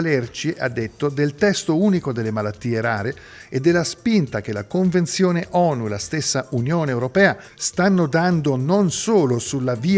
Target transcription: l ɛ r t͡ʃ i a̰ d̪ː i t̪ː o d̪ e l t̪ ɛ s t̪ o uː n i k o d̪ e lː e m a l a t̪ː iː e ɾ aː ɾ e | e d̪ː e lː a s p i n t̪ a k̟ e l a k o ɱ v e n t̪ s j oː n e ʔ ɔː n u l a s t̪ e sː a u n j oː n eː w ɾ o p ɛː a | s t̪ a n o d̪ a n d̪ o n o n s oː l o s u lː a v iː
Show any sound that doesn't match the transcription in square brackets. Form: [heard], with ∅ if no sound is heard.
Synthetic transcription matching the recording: l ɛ r t͡ʃ i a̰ d̪ː [e] t̪ː o d̪ e l t̪ ɛ s t̪ o uː n i k o d̪ e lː e m a l a t̪ː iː e ɾ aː ɾ e | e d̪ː e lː a s p i n t̪ a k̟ e l a k o ɱ v e n t̪ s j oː n e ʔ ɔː n u l a s t̪ e sː a u n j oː n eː w ɾ o p ɛː a | s t̪ a [nː] o d̪ a n d̪ o n o n s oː l o s u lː a v iː